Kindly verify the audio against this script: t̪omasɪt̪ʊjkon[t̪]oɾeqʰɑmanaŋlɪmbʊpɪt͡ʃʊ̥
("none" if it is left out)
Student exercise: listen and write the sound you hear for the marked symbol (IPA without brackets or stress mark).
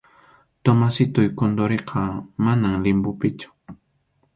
d̪